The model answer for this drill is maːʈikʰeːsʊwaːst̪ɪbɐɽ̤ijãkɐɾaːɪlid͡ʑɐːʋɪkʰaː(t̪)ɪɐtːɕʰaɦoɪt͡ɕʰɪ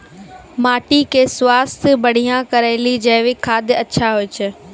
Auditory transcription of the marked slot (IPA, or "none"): d̪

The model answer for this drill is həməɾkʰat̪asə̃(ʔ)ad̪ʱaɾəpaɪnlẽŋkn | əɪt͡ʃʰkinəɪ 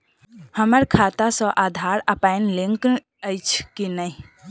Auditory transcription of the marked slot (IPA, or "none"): ʔ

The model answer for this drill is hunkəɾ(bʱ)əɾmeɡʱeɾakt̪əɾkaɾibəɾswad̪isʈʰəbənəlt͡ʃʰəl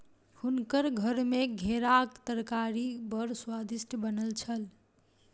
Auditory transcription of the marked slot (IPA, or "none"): ɡʱ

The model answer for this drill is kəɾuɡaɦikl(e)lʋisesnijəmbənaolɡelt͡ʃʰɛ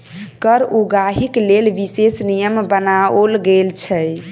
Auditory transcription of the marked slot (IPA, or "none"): e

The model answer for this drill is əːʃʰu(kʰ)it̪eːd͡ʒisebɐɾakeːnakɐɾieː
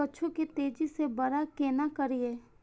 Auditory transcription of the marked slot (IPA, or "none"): k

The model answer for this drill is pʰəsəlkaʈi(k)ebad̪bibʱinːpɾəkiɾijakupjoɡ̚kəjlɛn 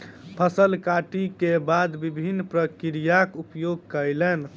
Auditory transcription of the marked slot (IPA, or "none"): k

